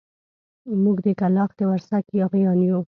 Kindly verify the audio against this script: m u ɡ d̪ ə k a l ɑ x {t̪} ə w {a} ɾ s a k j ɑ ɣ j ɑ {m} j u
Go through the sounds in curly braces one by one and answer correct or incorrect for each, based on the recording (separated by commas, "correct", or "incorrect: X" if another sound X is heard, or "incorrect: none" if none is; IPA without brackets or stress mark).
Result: incorrect: d̪, correct, incorrect: n